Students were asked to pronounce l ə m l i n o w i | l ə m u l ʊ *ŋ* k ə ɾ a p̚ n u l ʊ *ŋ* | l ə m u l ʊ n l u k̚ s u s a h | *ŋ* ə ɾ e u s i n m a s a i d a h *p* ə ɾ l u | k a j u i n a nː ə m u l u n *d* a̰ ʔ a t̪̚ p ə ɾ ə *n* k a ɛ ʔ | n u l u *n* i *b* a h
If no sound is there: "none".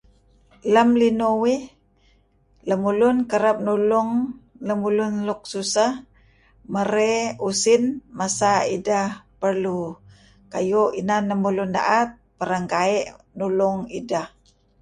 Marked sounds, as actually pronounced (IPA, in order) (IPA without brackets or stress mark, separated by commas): n, ŋ, m, p, d, ŋ, ŋ, d